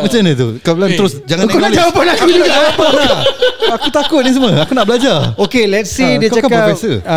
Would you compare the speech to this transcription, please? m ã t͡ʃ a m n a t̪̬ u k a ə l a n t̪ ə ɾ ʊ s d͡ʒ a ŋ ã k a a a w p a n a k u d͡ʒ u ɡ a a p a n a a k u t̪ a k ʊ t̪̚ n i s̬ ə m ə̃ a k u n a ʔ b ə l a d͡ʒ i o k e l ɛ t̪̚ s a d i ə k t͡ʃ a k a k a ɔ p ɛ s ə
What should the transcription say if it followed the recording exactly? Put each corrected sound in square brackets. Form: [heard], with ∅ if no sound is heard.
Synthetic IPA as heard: m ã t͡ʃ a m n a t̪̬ u k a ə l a n t̪ ə ɾ ʊ s d͡ʒ a ŋ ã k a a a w p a n a k u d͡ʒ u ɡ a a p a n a a k u t̪ a k ʊ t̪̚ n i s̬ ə m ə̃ a k u n a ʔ b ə l a d͡ʒ [a] o k e l ɛ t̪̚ s [i] d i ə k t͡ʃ a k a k a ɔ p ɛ s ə